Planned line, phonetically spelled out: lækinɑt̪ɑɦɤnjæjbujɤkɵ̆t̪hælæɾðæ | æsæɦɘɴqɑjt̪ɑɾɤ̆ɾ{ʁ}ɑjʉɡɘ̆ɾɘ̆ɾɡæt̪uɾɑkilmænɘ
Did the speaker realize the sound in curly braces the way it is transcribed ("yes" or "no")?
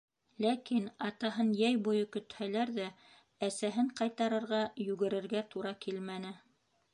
yes